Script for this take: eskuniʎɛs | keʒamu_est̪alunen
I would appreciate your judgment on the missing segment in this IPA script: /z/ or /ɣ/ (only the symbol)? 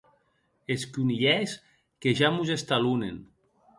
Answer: z